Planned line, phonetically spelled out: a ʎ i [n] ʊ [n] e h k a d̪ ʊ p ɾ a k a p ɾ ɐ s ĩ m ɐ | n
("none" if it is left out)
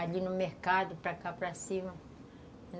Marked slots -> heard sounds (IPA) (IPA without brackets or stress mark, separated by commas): n, m